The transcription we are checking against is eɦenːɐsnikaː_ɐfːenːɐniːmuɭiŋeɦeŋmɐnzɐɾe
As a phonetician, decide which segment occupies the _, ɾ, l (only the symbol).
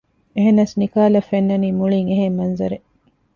l